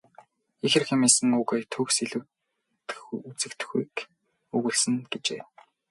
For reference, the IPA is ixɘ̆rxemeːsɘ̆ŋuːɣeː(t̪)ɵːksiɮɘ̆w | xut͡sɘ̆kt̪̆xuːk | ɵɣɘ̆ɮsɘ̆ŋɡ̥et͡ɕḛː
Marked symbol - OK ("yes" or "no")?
no